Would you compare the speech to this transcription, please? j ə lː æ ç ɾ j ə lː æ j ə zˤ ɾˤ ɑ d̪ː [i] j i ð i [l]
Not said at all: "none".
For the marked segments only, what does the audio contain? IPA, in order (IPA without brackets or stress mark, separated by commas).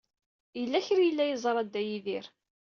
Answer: æ, ɾ